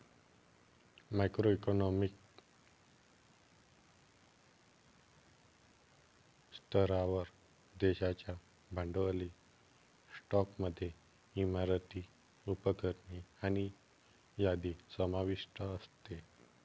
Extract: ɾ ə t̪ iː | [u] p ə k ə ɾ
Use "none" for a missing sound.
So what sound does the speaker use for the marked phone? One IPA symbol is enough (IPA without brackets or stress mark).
u